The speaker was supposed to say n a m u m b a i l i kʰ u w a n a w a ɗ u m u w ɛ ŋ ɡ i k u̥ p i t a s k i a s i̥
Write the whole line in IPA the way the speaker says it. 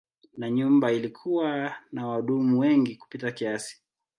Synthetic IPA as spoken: n a ɲ u m b a i l i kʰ u w a n a w a ɗ u m u w ɛ ŋ ɡ i k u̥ p i t a k i a s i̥